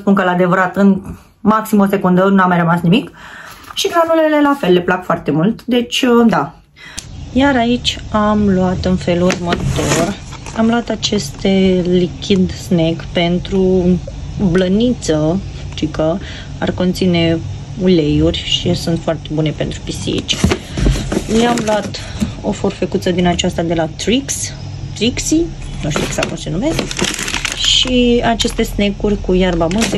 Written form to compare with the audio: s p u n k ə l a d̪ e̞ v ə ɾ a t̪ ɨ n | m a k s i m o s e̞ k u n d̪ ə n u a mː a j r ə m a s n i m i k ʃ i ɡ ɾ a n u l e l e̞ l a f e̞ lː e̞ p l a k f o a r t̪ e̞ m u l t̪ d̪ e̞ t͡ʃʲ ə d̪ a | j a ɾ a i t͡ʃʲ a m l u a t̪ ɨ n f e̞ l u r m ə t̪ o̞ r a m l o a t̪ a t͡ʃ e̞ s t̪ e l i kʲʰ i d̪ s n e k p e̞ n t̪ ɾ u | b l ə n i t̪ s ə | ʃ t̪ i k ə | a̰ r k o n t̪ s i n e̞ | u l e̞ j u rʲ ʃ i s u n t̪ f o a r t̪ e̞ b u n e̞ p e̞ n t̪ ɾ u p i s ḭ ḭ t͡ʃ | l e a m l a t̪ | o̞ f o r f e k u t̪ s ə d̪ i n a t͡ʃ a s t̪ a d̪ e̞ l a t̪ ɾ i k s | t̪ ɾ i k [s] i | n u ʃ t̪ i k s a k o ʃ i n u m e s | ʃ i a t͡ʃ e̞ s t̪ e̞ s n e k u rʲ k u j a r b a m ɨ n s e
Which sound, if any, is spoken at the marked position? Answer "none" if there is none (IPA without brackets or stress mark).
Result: s